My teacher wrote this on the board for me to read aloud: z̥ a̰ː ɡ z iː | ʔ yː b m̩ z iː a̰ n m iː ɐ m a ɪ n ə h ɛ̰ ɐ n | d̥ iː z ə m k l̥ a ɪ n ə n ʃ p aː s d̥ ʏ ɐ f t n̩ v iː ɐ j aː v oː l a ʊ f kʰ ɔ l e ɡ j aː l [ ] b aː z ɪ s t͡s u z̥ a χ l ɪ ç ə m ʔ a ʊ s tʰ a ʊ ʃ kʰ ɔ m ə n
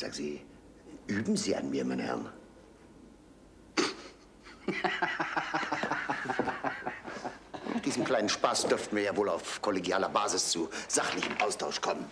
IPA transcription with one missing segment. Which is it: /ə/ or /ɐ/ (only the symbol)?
ɐ